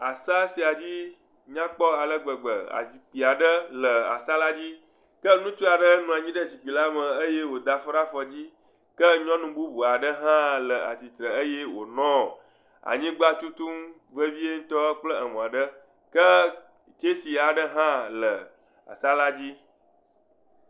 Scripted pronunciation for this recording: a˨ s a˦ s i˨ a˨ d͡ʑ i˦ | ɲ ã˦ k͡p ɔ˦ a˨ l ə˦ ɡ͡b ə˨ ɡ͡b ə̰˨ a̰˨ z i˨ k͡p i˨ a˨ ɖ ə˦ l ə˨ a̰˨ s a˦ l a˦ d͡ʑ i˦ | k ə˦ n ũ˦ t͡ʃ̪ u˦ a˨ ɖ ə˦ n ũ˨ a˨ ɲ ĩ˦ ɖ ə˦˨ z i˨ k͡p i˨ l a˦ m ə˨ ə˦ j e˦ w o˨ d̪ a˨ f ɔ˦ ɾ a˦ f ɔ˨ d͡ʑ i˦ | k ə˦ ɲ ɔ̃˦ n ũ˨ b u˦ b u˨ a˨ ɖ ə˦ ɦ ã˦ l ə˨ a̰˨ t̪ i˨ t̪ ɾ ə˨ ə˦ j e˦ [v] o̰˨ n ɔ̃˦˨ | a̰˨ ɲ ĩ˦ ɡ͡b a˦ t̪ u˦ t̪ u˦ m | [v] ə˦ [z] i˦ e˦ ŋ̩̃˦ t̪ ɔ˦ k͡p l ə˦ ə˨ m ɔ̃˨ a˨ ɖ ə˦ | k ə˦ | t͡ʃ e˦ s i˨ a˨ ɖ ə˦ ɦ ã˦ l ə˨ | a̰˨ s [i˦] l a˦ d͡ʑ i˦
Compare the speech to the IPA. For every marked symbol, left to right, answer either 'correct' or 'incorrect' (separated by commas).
incorrect, correct, incorrect, incorrect